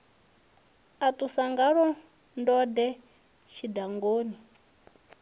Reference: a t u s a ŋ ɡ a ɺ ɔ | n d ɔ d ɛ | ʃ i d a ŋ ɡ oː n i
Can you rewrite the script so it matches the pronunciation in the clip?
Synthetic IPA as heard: a t u s a ŋ ɡ a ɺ ɔ | n d ɔ d ɛ | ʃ i d a ŋ ɡ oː n i

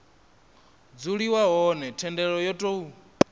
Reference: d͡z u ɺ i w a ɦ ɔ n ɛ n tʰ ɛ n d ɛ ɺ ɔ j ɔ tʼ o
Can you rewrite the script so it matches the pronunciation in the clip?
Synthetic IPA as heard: d͡z u ɺ i w a ɦ ɔ n ɛ tʰ ɛ n d ɛ ɺ ɔ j ɔ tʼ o

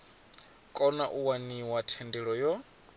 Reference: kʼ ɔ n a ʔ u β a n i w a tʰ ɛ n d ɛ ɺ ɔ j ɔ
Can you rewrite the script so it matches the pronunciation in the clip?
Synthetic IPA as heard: kʼ ɔ n a ʔ u w a n i w a tʰ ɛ n d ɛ ɺ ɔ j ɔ

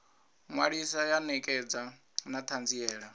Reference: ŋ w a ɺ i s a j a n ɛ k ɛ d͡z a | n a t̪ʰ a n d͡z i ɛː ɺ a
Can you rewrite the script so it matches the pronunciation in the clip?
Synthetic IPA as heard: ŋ w a ɺ i s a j a n ɛ kʼ ɛ d͡z a | n a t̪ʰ a n d͡z i ɛː ɺ a

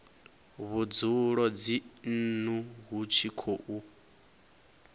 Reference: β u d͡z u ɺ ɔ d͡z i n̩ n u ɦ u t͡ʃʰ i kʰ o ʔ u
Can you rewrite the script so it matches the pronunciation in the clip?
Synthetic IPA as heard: β u d͡z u ɺ ɔ d͡z i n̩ n u ɦ u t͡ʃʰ i kʰ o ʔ u

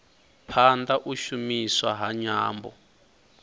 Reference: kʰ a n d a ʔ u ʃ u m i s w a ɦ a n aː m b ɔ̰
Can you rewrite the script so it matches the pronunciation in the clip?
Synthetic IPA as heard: pʰ a n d a ʔ u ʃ u m i s w a ɦ a ɲ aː m b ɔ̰

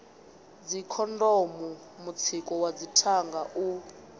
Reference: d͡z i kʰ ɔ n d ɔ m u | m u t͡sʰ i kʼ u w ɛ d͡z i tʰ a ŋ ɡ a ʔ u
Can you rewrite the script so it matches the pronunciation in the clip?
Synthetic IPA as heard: d͡z i kʰ ɔ n d ɔ m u | m u t͡sʰ i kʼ ɔ w a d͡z i tʰ a ŋ ɡ a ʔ u

